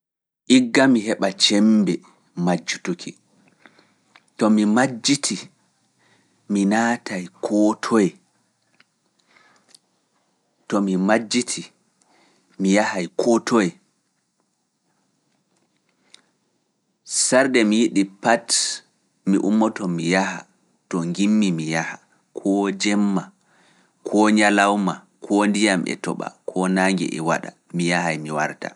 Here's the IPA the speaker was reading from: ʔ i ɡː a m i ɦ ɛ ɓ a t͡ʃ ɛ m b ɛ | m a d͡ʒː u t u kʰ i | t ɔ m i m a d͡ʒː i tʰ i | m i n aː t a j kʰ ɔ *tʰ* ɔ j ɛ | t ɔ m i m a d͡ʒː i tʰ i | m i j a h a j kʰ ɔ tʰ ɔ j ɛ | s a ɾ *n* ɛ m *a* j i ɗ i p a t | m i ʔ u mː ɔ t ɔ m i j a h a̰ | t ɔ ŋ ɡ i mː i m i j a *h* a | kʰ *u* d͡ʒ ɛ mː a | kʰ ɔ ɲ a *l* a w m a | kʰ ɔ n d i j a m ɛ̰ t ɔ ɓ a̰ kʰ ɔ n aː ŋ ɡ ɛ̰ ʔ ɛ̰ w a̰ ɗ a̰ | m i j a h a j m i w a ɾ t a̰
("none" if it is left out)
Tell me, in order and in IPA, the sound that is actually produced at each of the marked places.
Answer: tʰ, d, i, h, ɔ, l

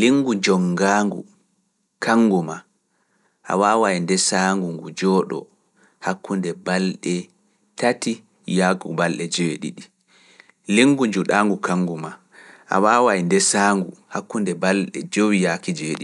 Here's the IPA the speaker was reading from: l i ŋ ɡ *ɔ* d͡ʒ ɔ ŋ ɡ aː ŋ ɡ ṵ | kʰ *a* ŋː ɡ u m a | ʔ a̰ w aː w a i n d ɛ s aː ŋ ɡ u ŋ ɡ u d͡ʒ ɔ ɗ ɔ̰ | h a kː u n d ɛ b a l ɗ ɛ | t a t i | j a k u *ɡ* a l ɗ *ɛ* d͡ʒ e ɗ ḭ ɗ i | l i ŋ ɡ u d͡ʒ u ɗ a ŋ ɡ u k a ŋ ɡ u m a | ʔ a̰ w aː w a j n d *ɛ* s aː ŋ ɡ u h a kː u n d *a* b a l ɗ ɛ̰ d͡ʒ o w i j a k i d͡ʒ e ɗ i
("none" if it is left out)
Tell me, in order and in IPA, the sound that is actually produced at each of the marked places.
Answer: u, a, b, ɛ, ɛ, ɛ

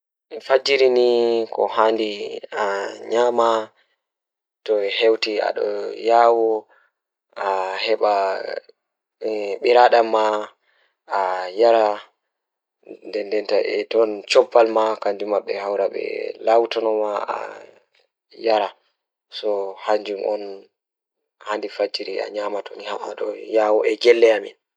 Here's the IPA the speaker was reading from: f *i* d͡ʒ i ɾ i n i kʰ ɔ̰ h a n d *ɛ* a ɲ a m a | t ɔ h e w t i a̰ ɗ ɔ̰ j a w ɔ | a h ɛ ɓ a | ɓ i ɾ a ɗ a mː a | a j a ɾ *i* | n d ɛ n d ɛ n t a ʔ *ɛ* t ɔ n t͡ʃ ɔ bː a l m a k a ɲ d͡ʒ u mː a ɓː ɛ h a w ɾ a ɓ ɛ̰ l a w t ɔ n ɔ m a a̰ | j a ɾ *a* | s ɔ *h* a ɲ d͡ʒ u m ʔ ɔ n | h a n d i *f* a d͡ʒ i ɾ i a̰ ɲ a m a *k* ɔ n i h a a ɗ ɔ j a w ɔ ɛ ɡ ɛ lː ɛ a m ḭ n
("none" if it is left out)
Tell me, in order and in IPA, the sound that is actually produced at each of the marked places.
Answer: a, i, a, ɛ, a, h, f, t

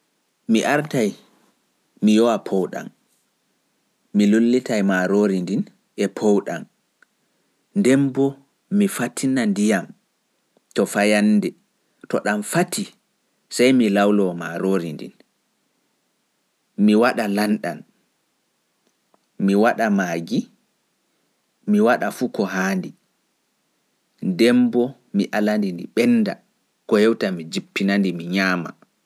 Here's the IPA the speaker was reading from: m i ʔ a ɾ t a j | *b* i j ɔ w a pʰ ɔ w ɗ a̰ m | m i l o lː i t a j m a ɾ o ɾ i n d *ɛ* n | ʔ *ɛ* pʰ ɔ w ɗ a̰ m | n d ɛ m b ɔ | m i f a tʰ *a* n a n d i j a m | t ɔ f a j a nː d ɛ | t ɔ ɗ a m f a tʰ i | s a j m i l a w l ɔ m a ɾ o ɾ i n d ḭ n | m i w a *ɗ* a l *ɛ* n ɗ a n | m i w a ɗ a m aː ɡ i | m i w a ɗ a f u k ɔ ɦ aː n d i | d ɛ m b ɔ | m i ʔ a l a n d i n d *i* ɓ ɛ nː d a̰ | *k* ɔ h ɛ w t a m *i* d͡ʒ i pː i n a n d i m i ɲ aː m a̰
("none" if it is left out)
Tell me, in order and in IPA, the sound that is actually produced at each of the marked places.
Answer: m, i, ɛ, i, ɗ, a, i, k, i

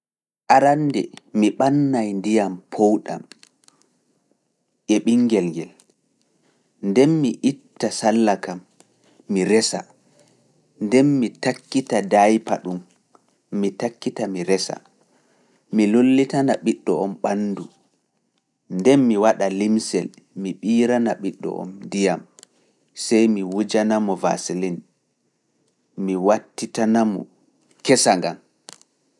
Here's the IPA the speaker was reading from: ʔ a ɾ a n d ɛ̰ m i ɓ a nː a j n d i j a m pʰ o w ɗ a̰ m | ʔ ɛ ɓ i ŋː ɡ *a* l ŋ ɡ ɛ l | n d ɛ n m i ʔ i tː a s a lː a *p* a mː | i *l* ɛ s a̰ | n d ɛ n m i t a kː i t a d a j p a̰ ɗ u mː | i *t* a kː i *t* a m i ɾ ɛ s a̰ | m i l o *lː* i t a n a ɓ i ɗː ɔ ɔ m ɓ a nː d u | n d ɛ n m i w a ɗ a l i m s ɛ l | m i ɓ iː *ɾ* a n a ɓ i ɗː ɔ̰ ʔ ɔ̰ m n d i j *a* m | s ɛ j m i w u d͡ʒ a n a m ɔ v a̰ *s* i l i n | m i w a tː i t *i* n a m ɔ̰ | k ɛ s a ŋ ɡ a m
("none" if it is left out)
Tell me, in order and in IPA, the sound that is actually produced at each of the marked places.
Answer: ɛ, k, ɾ, t, t, lː, ɾ, a, s, a

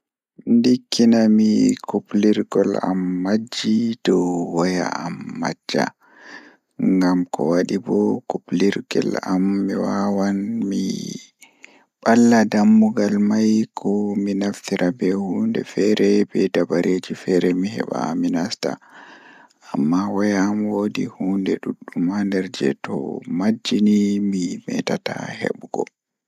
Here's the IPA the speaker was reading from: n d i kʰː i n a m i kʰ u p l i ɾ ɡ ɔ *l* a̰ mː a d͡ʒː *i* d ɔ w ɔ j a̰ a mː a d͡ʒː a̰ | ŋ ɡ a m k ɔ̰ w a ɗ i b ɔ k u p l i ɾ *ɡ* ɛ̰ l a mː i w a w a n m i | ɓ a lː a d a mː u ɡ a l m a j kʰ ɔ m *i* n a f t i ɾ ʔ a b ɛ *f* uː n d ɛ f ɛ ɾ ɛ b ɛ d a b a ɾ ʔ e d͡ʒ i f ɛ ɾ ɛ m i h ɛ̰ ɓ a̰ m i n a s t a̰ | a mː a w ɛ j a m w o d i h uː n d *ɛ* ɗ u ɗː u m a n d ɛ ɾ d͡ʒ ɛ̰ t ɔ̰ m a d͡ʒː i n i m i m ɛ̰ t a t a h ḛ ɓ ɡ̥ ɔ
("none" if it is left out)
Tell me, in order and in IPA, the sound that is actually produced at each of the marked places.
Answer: l, i, ɡ, i, h, ɛ

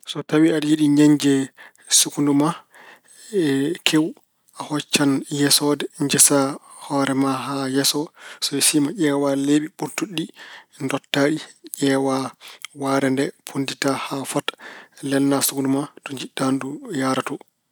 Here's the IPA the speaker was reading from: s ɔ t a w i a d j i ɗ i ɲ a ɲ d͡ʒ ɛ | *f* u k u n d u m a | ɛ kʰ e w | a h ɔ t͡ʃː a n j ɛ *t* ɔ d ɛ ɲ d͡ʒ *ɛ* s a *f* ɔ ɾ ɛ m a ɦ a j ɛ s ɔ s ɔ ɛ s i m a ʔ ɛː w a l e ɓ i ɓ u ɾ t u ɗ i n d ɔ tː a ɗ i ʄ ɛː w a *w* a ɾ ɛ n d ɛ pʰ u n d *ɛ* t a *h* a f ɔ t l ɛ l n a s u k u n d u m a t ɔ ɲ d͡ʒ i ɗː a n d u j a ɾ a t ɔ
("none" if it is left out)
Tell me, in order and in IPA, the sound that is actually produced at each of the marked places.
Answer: s, s, ɛ, h, w, i, h

